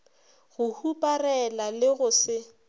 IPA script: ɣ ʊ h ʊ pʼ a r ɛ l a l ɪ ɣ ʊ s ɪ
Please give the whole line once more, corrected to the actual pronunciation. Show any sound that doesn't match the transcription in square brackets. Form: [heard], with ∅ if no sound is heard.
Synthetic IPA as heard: ɣ ʊ h [u] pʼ a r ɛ l a l ɪ ɣ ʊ s ɪ